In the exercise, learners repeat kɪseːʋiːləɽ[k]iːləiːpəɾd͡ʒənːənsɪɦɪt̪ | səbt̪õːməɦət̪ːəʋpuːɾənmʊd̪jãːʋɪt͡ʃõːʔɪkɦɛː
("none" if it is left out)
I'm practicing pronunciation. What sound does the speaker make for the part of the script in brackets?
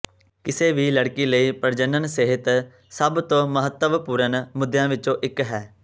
k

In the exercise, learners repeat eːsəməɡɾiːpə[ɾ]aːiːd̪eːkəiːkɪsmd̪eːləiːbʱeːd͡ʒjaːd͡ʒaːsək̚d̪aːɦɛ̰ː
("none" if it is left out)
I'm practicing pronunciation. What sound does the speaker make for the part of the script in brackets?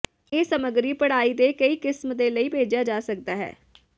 ɽ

